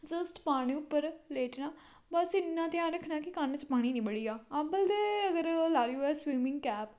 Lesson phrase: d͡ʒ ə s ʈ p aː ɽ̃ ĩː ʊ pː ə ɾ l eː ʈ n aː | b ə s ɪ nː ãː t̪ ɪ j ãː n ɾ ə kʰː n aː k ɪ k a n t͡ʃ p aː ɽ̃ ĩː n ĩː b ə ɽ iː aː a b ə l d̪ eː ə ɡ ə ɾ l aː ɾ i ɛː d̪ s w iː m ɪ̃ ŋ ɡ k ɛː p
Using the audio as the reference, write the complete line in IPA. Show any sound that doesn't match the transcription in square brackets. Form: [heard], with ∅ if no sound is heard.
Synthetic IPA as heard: d͡ʒ ə s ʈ p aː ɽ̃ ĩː ʊ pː ə ɾ l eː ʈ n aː | b ə s ɪ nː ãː t̪ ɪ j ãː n ɾ ə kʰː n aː k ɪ k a n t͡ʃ p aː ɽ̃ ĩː n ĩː b ə ɽ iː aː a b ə l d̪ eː ə ɡ ə ɾ l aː ɾ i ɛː [∅] s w iː m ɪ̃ ŋ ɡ k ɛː p

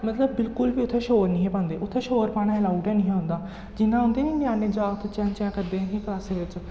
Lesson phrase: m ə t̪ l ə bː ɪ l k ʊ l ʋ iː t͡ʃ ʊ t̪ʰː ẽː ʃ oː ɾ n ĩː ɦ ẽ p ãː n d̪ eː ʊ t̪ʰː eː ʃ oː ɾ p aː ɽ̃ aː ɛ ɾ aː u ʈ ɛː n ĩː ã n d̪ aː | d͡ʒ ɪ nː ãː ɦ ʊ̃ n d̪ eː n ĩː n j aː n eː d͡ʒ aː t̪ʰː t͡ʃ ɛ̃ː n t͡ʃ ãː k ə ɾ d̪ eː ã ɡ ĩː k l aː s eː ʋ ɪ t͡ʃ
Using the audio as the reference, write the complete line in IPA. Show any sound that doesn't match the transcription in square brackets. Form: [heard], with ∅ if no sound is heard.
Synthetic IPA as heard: m ə t̪ l ə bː ɪ l k ʊ l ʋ iː [∅] ʊ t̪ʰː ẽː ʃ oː ɾ n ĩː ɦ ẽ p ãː n d̪ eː ʊ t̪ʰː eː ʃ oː ɾ p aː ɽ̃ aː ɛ [l] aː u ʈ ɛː n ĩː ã n d̪ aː | d͡ʒ ɪ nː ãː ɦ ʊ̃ n d̪ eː n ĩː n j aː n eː d͡ʒ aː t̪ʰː t͡ʃ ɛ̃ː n t͡ʃ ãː k ə ɾ d̪ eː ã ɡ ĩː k l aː s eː ʋ ɪ t͡ʃ

